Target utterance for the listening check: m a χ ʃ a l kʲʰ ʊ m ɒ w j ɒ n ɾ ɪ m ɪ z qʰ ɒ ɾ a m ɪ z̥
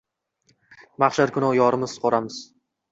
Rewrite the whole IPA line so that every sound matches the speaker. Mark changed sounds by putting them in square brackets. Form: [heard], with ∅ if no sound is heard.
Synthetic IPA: m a χ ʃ a [ɾ] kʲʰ ʊ [n] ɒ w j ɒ [∅] ɾ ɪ m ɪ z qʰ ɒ ɾ a m ɪ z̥